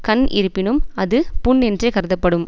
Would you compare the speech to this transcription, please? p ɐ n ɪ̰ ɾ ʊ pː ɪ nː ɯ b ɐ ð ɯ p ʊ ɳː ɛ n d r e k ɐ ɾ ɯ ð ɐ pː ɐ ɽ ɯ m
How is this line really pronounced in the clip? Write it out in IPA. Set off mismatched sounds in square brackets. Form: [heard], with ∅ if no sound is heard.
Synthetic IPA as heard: [k] ɐ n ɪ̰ ɾ [ɯ] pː ɪ [n] ɯ [m] ɐ ð ɯ p ʊ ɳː ɛ n d r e k ɐ ɾ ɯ ð ɐ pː ɐ ɽ ɯ m